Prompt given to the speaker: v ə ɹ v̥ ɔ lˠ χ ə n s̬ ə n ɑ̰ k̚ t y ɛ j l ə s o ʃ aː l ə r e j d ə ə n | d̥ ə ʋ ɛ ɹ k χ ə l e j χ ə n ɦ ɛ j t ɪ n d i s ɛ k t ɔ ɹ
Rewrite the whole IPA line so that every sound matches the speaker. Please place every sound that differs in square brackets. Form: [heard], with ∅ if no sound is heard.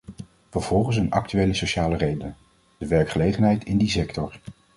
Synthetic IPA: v ə ɹ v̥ ɔ lˠ χ ə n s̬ ə n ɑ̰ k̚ t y [e] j l ə s o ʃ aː l ə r e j d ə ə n | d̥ ə ʋ ɛ ɹ k χ ə l e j χ ə n ɦ ɛ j t ɪ n d i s ɛ k t ɔ ɹ